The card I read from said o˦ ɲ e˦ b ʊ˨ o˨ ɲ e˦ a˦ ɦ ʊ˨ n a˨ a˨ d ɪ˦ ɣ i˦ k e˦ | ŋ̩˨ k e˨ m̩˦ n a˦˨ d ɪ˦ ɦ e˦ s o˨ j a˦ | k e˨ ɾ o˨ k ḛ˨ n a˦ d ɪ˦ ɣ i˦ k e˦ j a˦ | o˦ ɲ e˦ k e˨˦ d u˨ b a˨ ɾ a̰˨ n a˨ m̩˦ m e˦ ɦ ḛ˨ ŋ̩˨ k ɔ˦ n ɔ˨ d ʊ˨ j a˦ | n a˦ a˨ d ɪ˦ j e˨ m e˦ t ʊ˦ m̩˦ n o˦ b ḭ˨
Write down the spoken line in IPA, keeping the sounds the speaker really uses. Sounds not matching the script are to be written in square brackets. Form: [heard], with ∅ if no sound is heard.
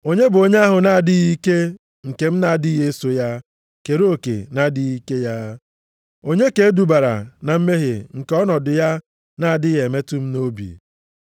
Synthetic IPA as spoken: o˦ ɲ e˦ b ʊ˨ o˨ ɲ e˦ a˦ ɦ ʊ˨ n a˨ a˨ d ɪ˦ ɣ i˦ k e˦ | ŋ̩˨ k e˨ m̩˦ n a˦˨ d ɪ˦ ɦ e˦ s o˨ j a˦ | k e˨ ɾ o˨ k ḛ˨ n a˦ d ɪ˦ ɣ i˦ k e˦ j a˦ | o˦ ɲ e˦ k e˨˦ d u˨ b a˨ ɾ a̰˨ n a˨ m̩˦ m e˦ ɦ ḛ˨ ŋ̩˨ k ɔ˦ n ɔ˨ d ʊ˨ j a˦ | n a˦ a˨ d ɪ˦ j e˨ m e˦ t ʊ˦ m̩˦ n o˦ b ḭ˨